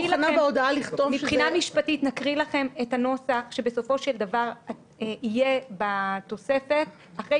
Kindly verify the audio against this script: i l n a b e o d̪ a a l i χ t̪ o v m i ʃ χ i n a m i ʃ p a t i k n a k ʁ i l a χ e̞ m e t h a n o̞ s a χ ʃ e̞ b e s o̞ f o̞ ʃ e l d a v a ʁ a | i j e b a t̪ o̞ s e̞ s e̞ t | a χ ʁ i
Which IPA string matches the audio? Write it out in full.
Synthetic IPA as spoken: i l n a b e o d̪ a a l i χ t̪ o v m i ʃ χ i n a m i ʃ p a t i t n a k ʁ i l a χ e̞ m e t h a n o̞ s a χ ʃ e̞ b e s o̞ f o̞ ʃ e l d a v a ʁ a | i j e b a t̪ o̞ s e̞ f e̞ t | a χ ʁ e